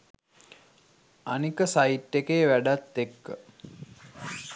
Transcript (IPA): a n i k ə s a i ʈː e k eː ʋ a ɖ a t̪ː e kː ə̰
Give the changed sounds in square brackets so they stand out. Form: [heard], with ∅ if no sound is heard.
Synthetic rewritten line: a n i k ə s a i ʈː e k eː ʋ [æ] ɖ a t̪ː e kː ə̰

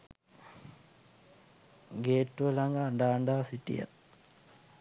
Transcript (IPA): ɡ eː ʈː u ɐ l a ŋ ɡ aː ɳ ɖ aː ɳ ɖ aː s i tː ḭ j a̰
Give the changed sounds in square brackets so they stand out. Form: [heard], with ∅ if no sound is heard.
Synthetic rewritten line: ɡ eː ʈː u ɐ l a ŋ ɡ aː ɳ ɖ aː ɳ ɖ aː s i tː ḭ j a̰

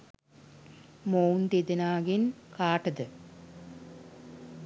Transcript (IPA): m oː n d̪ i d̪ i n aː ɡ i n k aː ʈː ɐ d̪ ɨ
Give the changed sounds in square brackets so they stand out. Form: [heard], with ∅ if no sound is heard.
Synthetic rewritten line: m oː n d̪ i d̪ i n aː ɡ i n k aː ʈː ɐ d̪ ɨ

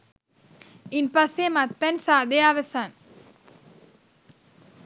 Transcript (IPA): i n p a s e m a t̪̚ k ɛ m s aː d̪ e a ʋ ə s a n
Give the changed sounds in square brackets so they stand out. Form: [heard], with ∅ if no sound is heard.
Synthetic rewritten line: i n p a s e m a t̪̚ [p] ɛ [n] s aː d̪ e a ʋ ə s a n

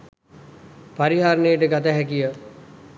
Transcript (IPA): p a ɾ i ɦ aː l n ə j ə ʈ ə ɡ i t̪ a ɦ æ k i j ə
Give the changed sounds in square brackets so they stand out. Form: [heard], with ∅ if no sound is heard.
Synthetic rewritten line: p a ɾ i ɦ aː [ɾ] n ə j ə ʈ ə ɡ [a] t̪ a ɦ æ k i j ə

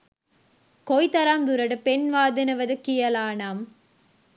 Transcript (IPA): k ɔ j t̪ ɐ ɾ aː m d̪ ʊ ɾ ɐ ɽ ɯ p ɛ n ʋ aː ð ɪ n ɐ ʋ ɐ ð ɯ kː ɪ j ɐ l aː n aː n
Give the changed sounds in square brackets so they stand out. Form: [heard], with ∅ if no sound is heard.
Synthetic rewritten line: k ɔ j t̪ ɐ ɾ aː m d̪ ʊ ɾ ɐ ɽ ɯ p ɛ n ʋ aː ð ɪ n ɐ ʋ ɐ ð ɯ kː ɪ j ɐ l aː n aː [m]

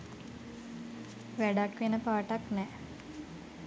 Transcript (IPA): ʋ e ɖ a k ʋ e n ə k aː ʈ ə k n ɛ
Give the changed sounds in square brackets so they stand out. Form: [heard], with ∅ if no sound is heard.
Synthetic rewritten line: ʋ [æ] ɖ a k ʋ e n ə [p] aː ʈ [a] k n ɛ

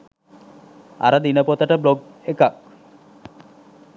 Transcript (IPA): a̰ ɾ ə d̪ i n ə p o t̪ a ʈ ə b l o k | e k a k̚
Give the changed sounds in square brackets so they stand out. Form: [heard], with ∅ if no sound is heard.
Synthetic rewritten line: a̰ ɾ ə d̪ i n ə p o t̪ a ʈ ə b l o [ɡ] | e k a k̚

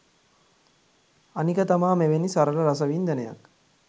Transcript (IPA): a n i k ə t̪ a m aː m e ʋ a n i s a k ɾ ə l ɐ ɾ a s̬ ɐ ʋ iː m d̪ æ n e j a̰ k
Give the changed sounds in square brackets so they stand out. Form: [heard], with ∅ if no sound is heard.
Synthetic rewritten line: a n i k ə t̪ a m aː m e ʋ [e] n i s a [∅] ɾ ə l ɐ ɾ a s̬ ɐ ʋ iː [n] d̪ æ n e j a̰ k

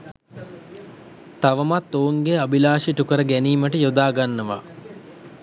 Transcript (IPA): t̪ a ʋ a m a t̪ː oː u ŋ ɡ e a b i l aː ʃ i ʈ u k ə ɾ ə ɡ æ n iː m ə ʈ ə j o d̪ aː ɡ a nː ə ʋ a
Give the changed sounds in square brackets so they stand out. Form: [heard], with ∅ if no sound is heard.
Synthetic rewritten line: t̪ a ʋ [ə] m a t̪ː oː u ŋ ɡ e a b i l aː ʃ i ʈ u k ə ɾ ə ɡ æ n iː m ə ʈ ə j o d̪ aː ɡ a nː ə ʋ a

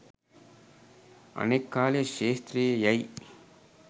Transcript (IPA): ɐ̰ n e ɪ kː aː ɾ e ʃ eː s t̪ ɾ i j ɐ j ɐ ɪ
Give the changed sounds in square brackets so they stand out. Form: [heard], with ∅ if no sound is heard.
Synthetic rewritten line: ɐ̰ n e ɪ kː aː [l] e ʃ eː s t̪ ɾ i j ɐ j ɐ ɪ

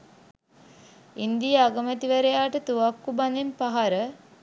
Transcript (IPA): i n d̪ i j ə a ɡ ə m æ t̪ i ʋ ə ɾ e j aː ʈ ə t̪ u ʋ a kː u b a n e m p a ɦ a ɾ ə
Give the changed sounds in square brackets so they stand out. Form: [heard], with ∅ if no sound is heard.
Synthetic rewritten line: i n d̪ i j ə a ɡ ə m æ t̪ i ʋ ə ɾ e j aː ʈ ə t̪ u ʋ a kː u b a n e m p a ɦ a ɾ ə

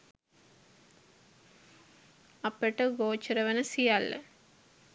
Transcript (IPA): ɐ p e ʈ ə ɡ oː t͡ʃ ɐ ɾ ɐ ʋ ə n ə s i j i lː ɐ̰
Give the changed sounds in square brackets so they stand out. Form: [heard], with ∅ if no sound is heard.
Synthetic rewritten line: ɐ p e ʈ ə ɡ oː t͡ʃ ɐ ɾ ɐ ʋ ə n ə s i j [a] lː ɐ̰

